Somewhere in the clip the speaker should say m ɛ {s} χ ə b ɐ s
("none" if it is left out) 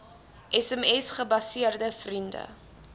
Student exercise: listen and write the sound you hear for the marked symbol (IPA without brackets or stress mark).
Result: s